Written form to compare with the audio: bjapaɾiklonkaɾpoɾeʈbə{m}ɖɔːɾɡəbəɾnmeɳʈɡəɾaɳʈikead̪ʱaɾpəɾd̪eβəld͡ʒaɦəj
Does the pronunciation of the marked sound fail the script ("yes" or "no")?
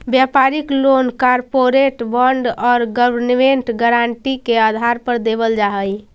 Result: yes